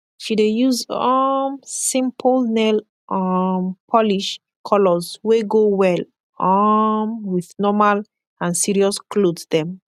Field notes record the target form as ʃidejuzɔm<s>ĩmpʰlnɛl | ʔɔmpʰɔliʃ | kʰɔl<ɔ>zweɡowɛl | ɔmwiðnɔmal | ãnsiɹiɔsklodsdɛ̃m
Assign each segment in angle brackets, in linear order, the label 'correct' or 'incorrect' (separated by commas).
correct, correct